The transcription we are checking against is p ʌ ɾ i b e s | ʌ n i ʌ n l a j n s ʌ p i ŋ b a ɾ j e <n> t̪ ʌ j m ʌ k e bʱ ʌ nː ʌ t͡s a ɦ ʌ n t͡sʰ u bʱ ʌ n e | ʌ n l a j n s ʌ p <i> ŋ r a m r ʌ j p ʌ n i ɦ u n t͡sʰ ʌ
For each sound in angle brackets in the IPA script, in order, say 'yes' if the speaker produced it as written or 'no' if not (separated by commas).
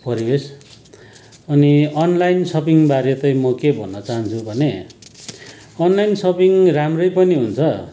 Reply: no, yes